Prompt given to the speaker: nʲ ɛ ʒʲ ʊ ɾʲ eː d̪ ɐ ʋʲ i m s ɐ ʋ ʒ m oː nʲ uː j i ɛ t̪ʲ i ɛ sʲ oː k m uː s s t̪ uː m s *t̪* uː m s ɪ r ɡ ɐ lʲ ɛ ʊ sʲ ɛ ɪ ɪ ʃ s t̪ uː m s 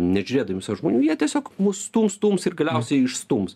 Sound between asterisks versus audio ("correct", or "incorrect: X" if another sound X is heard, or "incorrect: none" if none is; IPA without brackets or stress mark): correct